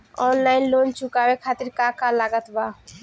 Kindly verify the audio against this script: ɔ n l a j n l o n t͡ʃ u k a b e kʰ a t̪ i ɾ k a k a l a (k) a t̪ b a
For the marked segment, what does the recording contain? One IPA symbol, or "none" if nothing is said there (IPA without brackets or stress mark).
ɡ